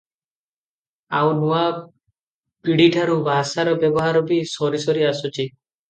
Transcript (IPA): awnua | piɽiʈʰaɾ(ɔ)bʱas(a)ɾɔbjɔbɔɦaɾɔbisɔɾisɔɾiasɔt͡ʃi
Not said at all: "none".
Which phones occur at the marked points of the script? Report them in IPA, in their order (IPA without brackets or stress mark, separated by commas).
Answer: u, a